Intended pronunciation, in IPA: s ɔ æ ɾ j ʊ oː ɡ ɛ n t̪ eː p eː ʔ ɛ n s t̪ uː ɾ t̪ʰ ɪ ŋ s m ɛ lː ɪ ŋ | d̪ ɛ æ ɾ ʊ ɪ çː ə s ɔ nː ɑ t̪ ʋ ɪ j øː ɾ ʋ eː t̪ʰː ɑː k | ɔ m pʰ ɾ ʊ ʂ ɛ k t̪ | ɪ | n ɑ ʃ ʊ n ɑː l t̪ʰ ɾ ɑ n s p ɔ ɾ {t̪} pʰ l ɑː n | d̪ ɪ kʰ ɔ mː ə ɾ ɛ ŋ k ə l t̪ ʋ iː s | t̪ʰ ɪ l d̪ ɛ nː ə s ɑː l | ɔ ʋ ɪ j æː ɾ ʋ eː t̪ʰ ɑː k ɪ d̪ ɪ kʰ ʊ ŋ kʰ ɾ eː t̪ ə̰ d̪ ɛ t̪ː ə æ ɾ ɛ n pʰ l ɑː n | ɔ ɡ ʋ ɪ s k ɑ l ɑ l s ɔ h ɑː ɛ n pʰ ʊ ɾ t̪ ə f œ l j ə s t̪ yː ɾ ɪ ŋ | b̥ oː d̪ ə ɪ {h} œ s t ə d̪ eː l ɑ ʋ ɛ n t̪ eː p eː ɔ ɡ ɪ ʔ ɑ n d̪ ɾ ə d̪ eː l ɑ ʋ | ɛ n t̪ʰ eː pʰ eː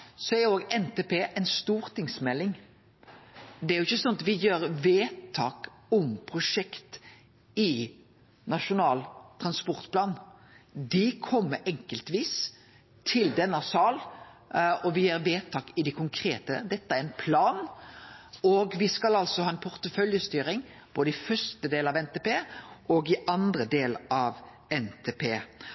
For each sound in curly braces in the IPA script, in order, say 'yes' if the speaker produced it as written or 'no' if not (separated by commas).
yes, no